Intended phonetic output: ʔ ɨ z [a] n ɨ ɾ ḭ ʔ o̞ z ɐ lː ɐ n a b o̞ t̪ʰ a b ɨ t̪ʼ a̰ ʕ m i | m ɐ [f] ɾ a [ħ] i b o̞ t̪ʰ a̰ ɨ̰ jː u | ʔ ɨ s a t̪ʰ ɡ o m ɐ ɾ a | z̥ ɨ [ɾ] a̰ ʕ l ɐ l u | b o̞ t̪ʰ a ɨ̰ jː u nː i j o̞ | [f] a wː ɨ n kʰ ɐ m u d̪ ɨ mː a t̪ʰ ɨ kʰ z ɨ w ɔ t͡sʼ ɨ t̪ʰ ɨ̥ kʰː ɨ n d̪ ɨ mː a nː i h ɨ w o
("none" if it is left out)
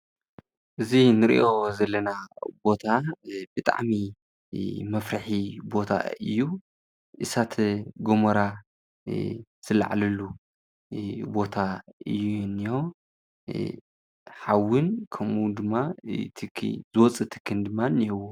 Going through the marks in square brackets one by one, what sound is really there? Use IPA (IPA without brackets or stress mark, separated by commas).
i, f, ħ, l, ħ